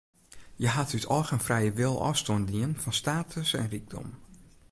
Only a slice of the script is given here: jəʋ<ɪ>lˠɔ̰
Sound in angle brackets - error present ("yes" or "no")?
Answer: no